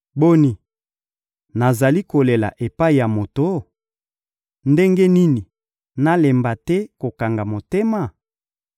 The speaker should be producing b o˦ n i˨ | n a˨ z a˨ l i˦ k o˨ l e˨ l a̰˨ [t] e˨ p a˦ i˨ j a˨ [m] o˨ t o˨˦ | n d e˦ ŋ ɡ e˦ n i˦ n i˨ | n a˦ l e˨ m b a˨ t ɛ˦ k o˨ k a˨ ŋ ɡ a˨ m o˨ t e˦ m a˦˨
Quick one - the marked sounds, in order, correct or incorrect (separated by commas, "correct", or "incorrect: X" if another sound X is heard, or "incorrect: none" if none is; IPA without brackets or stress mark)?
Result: incorrect: ʔ, correct